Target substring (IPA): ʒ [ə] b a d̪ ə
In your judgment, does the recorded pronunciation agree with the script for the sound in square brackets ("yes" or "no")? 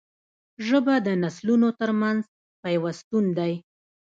yes